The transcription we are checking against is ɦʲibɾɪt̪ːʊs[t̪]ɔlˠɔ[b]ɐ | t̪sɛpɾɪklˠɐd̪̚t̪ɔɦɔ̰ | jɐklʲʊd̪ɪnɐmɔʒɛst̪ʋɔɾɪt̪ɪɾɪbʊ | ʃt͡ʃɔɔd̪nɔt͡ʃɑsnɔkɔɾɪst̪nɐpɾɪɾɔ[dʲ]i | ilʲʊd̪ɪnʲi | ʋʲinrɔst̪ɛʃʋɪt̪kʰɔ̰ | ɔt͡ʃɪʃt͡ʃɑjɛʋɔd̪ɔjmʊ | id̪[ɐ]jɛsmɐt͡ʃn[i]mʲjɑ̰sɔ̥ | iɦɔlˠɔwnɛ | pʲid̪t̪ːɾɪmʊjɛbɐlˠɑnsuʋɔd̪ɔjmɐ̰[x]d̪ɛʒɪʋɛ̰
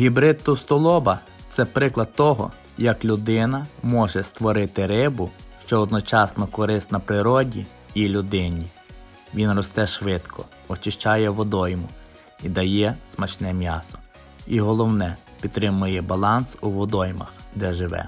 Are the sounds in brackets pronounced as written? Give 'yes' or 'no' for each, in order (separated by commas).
yes, yes, yes, yes, no, yes